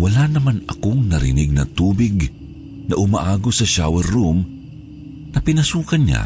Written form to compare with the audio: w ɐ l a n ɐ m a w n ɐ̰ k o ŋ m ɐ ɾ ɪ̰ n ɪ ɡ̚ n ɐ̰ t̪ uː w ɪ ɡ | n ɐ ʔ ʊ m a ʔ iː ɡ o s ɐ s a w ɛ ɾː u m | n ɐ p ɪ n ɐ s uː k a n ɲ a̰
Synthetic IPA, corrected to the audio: w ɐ l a n ɐ m a n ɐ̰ k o ŋ n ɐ ɾ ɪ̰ n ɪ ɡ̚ n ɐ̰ t̪ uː b ɪ ɡ | n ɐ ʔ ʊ m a ʔ aː ɡ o s ɐ ʃ a w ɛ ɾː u m | n ɐ p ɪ n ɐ s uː k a n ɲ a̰